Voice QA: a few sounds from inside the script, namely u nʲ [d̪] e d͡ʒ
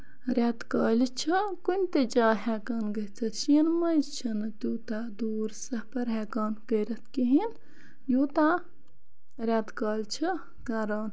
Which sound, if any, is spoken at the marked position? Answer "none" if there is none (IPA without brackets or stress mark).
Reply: t̪